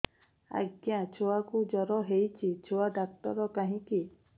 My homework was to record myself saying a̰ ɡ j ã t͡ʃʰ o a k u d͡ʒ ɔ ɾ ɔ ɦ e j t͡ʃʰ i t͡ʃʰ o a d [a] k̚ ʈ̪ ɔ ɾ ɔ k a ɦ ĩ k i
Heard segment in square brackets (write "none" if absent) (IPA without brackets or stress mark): a